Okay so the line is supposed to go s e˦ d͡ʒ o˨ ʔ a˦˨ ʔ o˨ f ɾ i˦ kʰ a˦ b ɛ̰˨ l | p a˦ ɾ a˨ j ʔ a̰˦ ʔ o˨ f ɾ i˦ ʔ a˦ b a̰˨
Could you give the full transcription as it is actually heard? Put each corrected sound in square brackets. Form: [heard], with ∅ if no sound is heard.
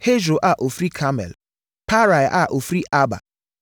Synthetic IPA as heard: [h] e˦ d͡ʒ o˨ ʔ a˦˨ ʔ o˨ f ɾ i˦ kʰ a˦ [m] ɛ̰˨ l | p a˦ ɾ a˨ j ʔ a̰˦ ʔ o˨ f ɾ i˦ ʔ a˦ b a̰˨